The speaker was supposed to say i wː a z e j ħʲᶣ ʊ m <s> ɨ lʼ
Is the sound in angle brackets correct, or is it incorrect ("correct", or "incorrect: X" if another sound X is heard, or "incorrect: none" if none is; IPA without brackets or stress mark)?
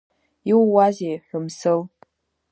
correct